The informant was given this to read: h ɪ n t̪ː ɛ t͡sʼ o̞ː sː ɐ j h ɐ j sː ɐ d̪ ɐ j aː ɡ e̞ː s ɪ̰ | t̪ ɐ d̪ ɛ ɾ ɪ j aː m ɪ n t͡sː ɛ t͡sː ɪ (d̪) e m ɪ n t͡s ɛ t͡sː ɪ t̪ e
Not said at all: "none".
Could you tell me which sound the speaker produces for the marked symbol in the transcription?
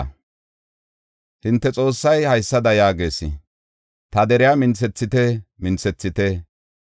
t̪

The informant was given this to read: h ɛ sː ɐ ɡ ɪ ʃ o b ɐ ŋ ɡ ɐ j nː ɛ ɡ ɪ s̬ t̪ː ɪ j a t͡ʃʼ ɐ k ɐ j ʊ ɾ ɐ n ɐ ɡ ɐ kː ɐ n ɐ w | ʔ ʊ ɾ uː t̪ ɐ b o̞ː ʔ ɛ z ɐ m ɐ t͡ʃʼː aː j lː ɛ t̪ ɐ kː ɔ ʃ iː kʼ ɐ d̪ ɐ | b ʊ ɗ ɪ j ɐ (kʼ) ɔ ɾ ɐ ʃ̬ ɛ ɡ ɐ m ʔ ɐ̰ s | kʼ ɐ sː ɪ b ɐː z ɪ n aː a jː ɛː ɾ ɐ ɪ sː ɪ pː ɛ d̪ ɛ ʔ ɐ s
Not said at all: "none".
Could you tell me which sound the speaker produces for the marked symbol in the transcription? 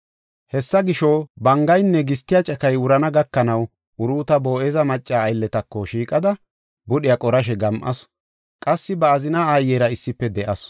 kʼ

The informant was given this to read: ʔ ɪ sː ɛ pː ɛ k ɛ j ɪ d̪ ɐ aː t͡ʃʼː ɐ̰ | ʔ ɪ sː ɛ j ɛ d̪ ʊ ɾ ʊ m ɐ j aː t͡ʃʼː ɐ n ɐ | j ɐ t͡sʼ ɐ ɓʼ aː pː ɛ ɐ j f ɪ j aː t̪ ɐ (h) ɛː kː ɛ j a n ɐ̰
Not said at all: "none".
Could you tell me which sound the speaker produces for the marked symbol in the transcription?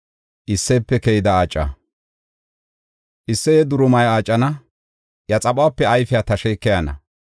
ʃ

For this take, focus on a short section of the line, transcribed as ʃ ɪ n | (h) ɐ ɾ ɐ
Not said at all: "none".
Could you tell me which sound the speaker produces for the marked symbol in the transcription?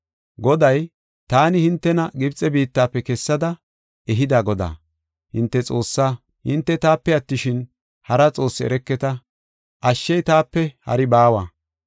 h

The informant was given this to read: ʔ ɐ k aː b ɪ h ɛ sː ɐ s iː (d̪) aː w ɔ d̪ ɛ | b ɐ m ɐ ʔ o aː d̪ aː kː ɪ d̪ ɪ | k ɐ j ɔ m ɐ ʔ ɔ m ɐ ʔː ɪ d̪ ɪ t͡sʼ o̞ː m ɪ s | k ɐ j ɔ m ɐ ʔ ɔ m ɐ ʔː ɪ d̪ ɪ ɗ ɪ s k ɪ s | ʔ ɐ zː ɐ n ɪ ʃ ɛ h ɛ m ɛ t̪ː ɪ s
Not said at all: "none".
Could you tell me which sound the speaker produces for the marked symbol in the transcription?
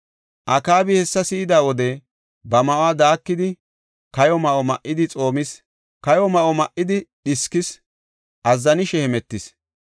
d̪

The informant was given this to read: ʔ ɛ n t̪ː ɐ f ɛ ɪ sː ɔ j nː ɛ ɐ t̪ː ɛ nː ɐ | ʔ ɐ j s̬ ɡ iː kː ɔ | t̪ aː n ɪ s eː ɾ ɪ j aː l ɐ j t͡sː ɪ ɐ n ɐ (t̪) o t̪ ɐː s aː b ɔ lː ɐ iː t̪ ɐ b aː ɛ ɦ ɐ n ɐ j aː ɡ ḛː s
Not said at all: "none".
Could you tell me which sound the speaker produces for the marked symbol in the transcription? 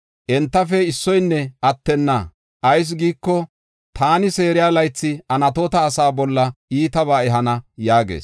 t̪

